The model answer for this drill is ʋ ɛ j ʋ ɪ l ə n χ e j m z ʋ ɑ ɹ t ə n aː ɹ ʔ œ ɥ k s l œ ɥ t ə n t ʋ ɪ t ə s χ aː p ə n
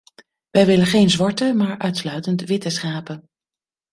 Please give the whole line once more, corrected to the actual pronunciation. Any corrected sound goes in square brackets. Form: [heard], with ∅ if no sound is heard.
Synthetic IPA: ʋ ɛ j ʋ ɪ l ə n χ e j [n] z ʋ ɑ ɹ t ə [m] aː ɹ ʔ œ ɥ [t] s l œ ɥ t ə n t ʋ ɪ t ə s χ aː p ə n